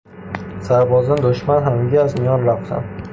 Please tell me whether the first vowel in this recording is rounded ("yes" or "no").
no